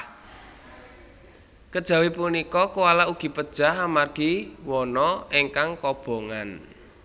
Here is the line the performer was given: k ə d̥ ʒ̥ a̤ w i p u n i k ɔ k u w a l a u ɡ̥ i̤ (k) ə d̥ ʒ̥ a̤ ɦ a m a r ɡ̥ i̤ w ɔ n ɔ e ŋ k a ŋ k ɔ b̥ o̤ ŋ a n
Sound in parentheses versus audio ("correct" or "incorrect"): incorrect